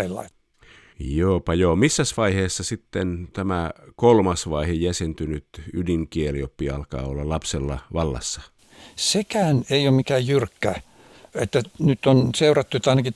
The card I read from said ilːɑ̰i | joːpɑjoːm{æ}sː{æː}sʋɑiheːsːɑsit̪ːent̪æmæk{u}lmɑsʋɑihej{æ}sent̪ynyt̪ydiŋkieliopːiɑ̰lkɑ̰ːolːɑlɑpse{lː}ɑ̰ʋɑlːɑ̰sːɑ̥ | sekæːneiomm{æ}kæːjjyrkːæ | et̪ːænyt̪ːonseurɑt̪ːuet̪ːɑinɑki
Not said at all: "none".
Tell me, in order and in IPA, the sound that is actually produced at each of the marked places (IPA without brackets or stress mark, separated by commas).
i, æ, o, æ, lː, i